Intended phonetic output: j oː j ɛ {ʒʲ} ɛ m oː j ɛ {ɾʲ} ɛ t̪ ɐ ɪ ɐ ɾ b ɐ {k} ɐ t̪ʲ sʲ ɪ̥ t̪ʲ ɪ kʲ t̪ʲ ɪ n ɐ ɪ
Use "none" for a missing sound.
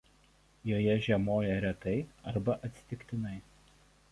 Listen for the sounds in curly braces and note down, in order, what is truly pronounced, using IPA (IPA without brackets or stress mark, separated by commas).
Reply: ʒʲ, ɾʲ, ʔ